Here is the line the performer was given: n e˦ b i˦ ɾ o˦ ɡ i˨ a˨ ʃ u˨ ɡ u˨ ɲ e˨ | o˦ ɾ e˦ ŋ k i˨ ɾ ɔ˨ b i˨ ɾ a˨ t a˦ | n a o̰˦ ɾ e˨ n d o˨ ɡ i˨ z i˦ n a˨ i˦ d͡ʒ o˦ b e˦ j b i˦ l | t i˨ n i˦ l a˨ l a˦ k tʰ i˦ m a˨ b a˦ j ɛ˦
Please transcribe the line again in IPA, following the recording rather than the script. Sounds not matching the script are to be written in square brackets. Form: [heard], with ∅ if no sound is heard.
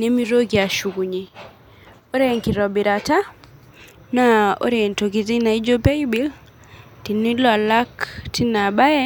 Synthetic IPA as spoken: n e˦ [m] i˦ ɾ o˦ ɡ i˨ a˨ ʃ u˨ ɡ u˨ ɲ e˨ | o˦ ɾ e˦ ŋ k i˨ ɾ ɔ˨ b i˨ ɾ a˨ t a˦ | n a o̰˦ ɾ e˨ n [t] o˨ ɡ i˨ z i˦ n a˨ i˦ d͡ʒ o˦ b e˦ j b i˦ l | t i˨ n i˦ l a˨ l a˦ k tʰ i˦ [n] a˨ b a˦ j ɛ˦